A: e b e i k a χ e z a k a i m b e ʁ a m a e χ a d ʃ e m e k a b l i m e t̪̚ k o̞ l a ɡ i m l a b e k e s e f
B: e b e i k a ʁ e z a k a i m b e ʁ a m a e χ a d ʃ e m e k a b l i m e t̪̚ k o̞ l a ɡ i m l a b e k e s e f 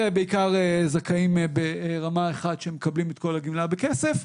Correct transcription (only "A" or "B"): B